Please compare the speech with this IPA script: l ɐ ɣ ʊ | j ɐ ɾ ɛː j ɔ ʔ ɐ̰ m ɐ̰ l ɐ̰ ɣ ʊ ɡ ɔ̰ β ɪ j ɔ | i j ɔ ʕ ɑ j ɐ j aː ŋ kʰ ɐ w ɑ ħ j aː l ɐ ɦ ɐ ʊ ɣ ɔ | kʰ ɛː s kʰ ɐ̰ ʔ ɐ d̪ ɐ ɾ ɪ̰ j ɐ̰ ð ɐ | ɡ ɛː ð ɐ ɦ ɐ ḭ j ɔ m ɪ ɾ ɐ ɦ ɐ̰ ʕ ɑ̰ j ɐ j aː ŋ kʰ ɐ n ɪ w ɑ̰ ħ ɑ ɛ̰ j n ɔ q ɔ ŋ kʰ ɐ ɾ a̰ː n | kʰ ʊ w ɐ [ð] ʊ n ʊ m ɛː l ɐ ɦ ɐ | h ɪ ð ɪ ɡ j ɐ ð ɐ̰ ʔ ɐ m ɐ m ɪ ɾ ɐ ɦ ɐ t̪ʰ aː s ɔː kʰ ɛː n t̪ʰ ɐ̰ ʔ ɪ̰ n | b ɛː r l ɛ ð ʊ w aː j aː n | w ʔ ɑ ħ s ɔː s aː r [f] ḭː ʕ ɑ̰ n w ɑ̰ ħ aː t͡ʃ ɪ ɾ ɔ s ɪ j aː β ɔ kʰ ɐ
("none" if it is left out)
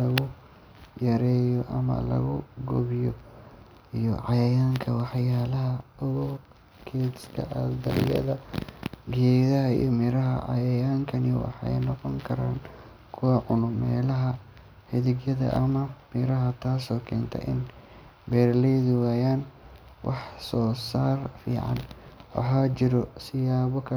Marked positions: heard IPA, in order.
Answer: ʕ, f

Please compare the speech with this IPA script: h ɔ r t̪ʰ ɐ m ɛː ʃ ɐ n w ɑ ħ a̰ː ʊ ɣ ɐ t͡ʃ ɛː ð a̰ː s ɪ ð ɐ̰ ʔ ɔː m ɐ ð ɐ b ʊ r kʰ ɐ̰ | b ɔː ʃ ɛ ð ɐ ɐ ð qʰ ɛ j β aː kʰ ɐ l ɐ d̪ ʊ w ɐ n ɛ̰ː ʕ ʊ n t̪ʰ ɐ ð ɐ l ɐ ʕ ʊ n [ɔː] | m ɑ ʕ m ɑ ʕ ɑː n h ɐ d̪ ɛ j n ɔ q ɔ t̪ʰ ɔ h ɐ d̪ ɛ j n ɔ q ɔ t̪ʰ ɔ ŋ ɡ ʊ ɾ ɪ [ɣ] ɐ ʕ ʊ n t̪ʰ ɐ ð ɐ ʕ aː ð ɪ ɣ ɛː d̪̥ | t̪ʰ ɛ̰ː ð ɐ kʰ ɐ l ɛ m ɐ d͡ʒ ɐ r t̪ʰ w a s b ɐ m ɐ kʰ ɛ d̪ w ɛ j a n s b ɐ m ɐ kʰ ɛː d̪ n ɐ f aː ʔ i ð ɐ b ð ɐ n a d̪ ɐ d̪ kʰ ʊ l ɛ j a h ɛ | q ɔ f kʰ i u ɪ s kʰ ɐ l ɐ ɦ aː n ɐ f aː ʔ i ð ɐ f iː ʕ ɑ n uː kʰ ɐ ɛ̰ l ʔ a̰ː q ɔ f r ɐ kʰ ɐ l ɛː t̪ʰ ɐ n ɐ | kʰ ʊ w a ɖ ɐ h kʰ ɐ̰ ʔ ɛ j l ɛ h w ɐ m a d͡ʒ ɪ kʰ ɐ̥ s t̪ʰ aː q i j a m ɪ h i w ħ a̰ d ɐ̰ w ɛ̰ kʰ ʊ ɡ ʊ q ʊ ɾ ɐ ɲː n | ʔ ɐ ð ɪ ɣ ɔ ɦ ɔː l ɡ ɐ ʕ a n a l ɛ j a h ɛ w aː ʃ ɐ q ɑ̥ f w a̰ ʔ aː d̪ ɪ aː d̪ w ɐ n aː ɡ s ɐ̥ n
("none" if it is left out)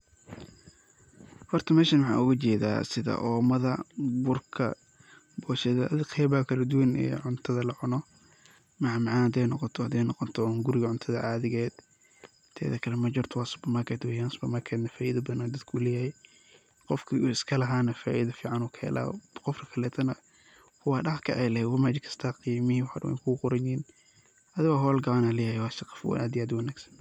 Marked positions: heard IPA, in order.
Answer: ɔ, ɣ

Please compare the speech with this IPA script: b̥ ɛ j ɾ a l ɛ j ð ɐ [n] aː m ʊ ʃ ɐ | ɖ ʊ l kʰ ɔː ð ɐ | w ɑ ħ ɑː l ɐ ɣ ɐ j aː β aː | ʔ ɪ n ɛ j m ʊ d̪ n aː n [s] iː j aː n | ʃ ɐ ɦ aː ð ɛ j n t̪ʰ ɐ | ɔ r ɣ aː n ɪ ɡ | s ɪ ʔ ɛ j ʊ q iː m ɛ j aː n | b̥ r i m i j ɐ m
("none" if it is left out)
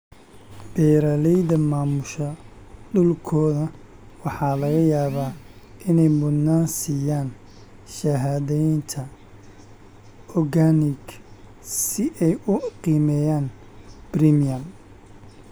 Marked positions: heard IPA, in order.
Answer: m, s

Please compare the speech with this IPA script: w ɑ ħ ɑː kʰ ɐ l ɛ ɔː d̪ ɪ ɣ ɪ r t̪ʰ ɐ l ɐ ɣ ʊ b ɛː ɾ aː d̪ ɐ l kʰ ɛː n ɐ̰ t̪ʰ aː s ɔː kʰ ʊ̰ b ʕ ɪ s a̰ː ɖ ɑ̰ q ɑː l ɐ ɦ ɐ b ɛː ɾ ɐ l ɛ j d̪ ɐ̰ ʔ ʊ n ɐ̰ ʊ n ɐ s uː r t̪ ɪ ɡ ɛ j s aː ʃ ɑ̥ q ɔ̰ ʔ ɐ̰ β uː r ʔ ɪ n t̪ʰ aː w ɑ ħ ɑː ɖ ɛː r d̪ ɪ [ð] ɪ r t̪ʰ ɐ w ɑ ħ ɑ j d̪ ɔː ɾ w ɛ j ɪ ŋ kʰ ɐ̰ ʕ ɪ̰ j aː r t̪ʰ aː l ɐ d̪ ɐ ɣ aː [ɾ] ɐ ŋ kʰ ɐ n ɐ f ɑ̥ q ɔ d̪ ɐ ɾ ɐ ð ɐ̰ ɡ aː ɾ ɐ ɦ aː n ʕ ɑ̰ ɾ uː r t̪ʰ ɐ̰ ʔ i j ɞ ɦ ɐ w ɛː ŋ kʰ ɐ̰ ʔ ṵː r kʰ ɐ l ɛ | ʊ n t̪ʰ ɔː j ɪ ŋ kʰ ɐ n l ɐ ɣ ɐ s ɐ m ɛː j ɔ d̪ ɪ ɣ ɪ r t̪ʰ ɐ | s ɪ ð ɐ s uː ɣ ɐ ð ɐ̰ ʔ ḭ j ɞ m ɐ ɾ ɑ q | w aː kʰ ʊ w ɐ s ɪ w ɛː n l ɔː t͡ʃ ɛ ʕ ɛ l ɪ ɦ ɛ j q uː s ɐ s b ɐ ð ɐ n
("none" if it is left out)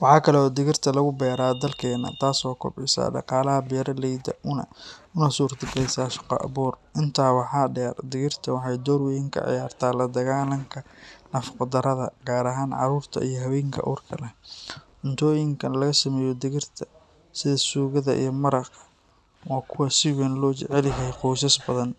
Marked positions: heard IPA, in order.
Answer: ɣ, l

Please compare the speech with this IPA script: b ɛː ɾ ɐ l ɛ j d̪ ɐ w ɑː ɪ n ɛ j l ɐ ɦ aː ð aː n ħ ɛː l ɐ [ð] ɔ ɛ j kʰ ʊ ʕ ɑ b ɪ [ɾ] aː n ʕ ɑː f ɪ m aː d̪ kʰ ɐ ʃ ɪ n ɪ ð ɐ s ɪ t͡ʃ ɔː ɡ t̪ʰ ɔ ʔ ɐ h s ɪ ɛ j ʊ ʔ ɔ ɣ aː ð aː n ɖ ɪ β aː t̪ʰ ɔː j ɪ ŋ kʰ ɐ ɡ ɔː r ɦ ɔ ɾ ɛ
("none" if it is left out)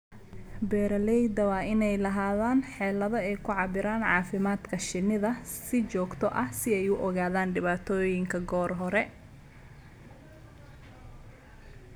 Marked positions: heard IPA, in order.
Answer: ð, ɾ

